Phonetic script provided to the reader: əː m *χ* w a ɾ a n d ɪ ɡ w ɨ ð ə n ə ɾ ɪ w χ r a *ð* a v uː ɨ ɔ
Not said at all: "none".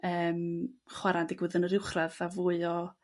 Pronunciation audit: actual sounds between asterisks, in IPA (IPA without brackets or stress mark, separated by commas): χ, ð